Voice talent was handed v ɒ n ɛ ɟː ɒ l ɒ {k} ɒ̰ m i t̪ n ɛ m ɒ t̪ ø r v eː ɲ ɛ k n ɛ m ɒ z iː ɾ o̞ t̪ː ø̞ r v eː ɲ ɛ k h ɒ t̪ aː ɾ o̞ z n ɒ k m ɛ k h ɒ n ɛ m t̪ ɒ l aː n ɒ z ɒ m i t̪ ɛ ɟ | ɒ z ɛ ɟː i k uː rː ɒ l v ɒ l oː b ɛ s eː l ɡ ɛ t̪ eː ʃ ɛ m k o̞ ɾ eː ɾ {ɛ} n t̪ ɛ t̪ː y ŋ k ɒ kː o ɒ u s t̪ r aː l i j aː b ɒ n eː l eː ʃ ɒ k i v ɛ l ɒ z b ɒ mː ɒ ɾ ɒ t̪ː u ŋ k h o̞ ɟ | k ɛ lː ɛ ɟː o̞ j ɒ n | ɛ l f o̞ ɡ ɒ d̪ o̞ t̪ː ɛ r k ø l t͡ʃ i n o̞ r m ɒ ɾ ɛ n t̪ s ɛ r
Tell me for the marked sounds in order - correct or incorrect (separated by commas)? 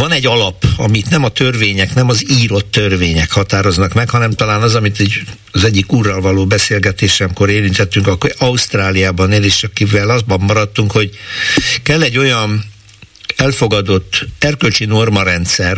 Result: incorrect, incorrect